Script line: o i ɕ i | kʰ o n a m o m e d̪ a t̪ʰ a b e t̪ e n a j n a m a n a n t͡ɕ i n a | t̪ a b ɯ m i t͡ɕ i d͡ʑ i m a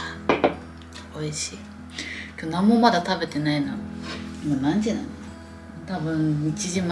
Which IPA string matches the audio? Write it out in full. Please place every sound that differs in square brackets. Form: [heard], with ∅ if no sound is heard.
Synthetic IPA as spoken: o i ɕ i | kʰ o n a m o m [a] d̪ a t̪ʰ a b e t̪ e n a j n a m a n a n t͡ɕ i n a | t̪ a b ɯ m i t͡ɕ i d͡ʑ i m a